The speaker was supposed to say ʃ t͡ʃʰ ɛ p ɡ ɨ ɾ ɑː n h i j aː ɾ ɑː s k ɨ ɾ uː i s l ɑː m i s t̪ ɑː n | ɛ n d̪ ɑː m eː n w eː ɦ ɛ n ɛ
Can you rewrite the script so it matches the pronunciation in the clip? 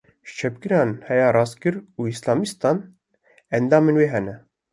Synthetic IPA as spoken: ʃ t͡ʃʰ ɛ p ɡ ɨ ɾ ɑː n h ɛ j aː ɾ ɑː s k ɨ ɾ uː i s l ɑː m i s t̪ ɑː n | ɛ n d̪ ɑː m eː n w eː ɦ ɛ n ɛ